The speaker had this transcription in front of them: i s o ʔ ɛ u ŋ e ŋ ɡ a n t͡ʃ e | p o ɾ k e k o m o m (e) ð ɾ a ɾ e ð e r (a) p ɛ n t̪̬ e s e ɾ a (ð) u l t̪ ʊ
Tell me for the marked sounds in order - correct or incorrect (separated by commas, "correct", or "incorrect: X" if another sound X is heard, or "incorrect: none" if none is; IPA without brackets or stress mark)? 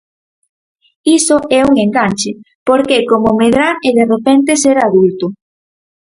correct, incorrect: e, correct